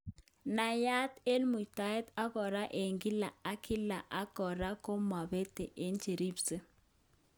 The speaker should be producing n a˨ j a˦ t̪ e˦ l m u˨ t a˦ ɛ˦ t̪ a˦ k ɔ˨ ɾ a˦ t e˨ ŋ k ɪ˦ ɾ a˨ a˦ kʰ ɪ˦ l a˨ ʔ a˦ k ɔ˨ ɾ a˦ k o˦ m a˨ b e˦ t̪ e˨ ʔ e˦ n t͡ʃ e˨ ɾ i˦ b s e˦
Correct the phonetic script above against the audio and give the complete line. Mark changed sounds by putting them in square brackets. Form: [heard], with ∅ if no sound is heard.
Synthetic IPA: n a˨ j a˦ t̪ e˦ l m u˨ t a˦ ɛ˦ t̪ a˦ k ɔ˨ ɾ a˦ [ʔ] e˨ ŋ [ɡ] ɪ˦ [l] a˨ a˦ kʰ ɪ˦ l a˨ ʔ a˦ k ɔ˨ ɾ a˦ k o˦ m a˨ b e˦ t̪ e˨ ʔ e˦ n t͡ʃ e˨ ɾ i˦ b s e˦